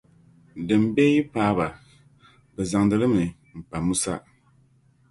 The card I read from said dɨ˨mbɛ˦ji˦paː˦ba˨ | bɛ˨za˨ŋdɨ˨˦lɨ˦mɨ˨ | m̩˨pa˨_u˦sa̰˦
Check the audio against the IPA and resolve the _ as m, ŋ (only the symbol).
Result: m